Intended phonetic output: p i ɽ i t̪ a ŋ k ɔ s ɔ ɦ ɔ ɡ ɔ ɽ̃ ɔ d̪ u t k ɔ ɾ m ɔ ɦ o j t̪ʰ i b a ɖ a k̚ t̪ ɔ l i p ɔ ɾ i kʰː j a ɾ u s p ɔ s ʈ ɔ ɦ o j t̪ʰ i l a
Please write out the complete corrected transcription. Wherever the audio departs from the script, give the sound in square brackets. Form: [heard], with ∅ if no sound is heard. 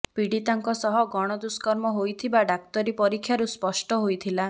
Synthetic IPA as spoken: p i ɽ i t̪ a ŋ k ɔ s ɔ ɦ ɔ ɡ ɔ ɽ̃ ɔ d̪ u [s] k ɔ ɾ m ɔ ɦ o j t̪ʰ i b a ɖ a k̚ t̪ ɔ [ɾ] i p ɔ ɾ i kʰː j a ɾ u s p ɔ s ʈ ɔ ɦ o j t̪ʰ i l a